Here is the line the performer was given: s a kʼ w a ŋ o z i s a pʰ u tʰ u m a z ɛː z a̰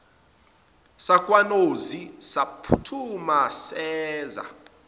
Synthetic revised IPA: s a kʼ w a n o z i s a pʰ u tʰ u m a s ɛː z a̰